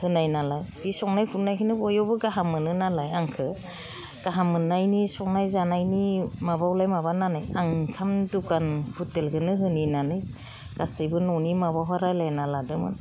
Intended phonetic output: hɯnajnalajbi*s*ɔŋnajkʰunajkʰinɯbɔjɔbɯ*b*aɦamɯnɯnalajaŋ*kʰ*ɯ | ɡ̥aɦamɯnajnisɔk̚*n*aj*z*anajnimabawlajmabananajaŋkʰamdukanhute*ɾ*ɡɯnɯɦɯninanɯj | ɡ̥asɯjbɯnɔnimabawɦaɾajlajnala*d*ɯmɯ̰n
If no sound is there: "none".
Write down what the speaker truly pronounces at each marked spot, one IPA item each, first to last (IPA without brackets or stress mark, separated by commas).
s, ɡ, kʰ, n, z, l, d